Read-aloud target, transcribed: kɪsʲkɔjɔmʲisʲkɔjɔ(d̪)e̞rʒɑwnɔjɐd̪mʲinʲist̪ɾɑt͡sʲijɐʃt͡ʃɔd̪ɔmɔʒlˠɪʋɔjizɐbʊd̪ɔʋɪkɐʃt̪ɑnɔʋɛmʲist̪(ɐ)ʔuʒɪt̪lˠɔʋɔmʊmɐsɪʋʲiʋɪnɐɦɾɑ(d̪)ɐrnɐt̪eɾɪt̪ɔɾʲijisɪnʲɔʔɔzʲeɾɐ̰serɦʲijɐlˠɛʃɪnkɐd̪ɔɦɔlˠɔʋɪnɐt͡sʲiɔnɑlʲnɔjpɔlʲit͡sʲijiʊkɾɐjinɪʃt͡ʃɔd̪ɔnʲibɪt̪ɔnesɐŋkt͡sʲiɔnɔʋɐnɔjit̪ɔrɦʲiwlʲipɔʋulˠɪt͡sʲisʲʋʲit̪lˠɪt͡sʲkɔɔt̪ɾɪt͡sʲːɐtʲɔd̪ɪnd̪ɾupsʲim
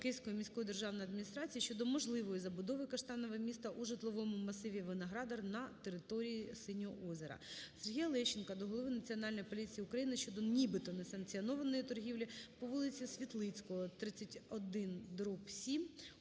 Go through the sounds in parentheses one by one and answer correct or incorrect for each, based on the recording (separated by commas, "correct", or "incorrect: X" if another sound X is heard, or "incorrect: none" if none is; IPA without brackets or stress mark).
correct, correct, correct